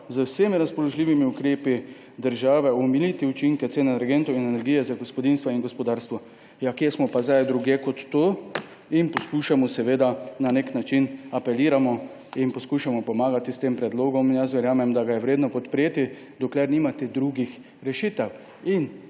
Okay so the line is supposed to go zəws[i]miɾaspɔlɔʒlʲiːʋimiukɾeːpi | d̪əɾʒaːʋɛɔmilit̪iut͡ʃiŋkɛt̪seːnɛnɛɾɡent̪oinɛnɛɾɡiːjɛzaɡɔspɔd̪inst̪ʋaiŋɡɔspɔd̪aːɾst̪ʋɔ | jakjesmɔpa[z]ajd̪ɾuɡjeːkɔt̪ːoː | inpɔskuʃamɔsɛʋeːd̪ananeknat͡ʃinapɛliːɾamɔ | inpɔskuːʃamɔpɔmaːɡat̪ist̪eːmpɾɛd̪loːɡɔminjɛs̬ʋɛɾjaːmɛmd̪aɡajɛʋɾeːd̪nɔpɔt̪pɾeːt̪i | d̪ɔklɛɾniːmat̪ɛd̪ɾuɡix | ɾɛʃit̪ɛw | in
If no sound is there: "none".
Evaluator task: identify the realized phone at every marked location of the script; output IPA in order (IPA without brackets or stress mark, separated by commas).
e, z